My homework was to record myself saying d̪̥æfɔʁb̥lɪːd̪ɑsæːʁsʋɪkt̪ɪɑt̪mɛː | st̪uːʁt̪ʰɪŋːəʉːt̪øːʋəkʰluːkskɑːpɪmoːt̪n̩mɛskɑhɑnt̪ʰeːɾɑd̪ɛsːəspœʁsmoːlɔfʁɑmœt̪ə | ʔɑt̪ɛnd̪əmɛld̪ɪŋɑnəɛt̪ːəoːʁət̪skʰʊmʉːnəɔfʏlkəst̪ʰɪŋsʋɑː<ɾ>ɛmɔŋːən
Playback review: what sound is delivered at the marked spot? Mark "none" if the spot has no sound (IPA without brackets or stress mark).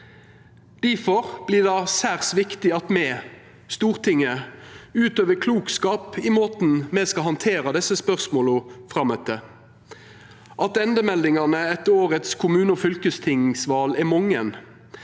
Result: l